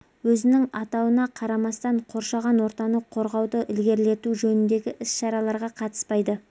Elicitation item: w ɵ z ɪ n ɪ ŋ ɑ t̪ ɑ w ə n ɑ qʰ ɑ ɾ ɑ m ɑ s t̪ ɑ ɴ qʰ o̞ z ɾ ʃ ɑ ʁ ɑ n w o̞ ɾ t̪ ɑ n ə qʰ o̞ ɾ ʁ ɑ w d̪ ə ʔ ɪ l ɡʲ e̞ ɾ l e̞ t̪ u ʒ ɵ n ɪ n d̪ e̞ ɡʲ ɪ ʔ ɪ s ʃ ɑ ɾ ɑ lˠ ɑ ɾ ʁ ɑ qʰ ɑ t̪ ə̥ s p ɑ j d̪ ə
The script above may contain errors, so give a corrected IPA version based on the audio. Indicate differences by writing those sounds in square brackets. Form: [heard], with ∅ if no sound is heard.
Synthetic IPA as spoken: w ɵ z ɪ n ɪ ŋ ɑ t̪ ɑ w ə n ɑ qʰ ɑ ɾ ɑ m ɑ s t̪ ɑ ɴ qʰ o̞ [∅] ɾ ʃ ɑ ʁ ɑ n w o̞ ɾ t̪ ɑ n ə qʰ o̞ ɾ ʁ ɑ w d̪ ə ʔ ɪ l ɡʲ e̞ ɾ l e̞ t̪ u ʒ ɵ n ɪ n d̪ e̞ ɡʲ ɪ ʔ ɪ s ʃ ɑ ɾ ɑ lˠ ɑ ɾ ʁ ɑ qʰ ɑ t̪ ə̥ s p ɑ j d̪ ə